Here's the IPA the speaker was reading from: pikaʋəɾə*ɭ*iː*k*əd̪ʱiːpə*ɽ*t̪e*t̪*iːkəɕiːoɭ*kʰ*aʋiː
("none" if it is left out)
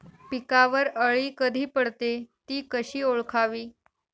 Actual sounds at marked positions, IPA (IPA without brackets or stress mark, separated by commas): ɭ, k, ɽ, t̪, kʰ